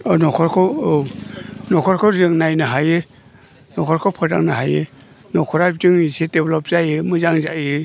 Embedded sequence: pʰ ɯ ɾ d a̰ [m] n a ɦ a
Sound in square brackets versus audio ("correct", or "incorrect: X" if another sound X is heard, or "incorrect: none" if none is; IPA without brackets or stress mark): incorrect: ŋ